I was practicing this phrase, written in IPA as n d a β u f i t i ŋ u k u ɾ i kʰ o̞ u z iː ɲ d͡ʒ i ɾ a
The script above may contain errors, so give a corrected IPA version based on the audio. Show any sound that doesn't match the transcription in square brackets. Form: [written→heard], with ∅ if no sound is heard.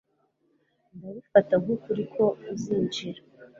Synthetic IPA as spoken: n d a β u f [i→a] t [i→a] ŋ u k u ɾ i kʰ o̞ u z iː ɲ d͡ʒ i ɾ a